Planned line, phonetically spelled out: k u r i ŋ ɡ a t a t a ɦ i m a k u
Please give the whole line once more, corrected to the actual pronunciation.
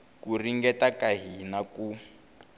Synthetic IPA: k u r i ŋ ɡ ɛ t a k a ɦ i n a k u